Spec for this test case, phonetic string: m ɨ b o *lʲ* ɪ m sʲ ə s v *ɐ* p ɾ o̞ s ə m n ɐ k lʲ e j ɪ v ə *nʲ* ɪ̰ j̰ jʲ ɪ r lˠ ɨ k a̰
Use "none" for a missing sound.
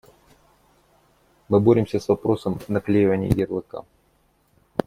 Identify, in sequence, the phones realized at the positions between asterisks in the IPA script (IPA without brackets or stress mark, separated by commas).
ɾʲ, ɐ, nʲ